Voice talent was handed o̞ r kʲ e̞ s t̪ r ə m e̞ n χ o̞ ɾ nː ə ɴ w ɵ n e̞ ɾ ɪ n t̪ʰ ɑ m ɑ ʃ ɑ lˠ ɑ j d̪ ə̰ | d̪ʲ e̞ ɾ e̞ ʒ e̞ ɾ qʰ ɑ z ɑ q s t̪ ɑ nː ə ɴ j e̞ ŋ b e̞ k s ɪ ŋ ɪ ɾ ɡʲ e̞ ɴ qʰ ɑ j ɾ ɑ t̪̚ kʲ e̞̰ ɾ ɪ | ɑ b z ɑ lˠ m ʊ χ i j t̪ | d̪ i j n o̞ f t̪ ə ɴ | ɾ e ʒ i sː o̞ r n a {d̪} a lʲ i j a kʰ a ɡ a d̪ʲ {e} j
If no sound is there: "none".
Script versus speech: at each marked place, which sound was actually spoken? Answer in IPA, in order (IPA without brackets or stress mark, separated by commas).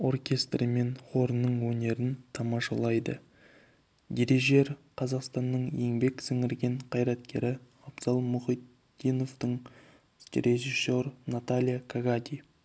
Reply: t̪, i